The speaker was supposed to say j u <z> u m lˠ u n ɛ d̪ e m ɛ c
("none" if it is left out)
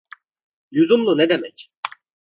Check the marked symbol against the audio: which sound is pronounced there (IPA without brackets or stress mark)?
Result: z